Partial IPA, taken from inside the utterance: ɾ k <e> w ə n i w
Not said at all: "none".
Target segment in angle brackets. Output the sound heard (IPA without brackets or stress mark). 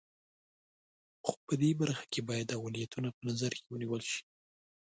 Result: e